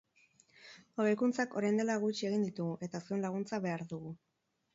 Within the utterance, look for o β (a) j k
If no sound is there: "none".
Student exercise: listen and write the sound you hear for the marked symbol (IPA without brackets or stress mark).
e